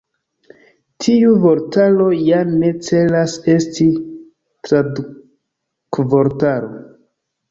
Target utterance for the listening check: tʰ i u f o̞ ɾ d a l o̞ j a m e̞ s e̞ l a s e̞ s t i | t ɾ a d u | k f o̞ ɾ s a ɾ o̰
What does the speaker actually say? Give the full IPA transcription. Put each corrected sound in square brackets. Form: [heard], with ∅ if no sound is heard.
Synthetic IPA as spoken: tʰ i u [v] o̞ ɾ [t] a l o̞ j a [n] e̞ [t͡s] e̞ l a s e̞ s t i | t ɾ a d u | k [v] o̞ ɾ [t] a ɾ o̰